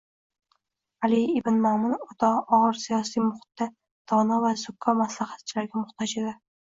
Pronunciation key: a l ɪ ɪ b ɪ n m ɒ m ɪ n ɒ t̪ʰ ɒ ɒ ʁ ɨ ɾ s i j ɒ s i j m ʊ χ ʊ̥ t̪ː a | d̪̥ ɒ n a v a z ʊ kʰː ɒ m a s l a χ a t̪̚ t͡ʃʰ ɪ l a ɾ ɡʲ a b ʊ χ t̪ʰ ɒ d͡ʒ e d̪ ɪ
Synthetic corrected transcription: a l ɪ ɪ b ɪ n m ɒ m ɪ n ɒ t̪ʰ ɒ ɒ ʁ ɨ ɾ s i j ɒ s i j m ʊ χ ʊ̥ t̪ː a | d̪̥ ɒ n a v a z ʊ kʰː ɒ m a s l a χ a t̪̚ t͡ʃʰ ɪ l a ɾ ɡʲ a m ʊ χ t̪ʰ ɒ d͡ʒ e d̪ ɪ